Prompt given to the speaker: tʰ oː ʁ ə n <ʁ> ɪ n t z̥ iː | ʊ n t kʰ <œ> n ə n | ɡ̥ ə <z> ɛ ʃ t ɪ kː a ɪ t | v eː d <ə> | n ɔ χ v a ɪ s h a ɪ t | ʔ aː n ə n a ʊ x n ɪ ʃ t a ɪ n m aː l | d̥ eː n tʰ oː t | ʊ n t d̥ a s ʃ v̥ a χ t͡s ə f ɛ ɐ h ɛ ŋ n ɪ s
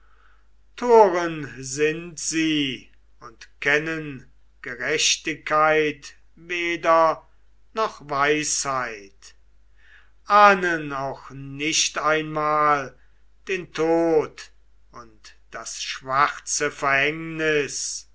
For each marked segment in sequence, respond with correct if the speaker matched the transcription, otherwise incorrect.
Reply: incorrect: z, incorrect: ɛ, incorrect: ʁ, incorrect: ɐ

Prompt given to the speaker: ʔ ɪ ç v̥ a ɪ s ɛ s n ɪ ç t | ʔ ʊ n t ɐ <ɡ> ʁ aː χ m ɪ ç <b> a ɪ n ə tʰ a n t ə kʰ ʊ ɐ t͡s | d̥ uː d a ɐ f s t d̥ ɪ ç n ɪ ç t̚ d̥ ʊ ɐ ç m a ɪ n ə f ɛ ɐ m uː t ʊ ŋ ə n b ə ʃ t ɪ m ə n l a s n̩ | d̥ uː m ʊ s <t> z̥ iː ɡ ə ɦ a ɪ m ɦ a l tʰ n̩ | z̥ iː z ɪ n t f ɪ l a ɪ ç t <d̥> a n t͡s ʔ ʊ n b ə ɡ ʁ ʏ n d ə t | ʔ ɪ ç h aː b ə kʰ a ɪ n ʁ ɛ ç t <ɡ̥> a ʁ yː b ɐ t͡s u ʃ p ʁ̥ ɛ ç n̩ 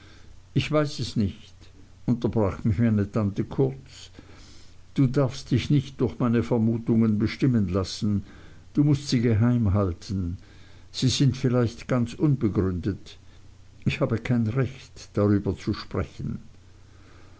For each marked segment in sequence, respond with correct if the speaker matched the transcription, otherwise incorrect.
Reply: incorrect: b, incorrect: m, correct, incorrect: ɡ̥, incorrect: d̥

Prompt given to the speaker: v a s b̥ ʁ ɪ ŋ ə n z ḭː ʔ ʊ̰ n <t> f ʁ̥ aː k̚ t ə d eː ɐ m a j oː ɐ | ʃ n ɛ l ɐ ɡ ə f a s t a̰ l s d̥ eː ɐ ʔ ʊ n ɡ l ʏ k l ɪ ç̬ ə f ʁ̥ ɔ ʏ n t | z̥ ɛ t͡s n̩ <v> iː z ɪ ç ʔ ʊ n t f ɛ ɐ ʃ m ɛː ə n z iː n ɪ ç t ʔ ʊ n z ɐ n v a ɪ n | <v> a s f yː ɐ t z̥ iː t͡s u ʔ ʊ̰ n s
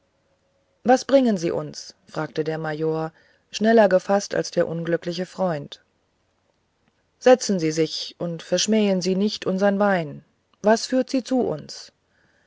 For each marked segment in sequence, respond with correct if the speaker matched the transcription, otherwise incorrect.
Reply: incorrect: s, incorrect: z, correct

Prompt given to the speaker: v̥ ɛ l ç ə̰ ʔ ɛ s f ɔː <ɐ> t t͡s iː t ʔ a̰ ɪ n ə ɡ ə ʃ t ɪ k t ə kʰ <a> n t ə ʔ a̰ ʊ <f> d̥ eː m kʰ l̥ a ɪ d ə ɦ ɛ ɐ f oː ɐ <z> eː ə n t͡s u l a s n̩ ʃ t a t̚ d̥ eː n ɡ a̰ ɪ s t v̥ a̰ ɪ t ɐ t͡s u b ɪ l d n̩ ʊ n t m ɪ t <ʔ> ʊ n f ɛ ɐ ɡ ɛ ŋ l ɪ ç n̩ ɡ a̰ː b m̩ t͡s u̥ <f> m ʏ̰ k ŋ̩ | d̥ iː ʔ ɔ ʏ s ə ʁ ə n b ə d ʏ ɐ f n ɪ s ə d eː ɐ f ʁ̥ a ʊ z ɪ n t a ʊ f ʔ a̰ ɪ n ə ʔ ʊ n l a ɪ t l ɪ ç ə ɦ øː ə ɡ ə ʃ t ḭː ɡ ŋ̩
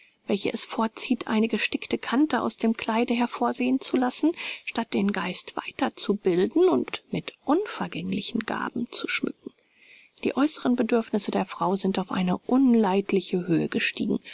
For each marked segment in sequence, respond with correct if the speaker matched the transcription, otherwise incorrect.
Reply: correct, correct, incorrect: s, correct, correct, incorrect: ʃ

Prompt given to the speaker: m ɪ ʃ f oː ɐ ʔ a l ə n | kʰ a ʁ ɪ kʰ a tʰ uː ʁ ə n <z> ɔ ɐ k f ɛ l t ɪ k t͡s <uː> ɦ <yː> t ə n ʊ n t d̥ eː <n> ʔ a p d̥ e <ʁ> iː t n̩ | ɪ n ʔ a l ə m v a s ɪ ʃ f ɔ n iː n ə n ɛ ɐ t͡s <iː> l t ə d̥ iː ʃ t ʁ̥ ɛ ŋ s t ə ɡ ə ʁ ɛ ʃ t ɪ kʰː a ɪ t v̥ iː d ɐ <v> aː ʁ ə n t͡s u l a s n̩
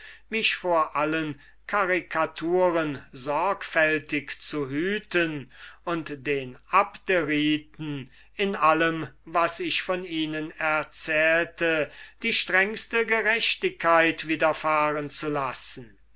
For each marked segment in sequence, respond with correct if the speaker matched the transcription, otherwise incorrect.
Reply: correct, incorrect: u, correct, correct, correct, incorrect: ɛː, incorrect: f

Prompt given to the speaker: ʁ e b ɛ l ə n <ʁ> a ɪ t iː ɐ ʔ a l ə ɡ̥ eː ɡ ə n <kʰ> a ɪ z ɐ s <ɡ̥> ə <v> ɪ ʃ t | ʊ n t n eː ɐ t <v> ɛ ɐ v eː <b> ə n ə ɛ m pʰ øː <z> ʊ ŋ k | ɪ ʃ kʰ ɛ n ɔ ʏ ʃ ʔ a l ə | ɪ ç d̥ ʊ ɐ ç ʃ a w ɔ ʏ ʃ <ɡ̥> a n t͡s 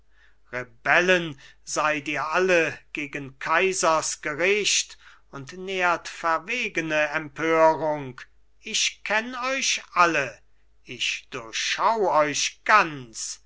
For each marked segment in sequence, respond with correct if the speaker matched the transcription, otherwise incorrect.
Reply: incorrect: z, correct, correct, incorrect: ʁ, incorrect: f, incorrect: ɡ, incorrect: ʁ, correct

